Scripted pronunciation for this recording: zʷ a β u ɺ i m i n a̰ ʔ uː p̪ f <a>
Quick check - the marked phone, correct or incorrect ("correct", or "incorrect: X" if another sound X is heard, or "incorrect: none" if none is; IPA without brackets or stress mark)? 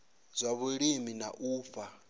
correct